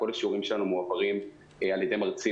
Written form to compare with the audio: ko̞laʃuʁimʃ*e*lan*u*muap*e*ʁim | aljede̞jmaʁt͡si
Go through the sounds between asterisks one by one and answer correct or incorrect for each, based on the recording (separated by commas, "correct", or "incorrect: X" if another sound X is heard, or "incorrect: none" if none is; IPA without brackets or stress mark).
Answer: correct, correct, incorrect: a